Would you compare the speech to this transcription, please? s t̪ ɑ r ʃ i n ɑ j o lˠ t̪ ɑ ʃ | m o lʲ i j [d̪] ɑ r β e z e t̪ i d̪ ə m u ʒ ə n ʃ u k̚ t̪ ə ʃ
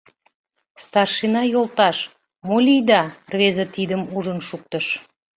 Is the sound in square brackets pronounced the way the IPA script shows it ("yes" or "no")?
yes